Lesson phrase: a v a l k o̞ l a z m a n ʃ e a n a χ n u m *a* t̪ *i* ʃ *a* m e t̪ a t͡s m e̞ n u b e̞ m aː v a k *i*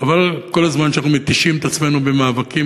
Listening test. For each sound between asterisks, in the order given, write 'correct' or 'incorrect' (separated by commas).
incorrect, correct, incorrect, correct